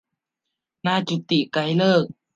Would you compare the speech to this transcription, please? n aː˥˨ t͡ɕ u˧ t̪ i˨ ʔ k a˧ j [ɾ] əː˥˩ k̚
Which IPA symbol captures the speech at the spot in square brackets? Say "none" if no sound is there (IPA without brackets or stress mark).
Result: l